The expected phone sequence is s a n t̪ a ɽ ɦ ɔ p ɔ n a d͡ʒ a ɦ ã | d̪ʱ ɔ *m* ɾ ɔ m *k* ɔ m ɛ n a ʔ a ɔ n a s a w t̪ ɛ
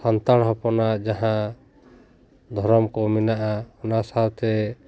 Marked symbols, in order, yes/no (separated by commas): no, yes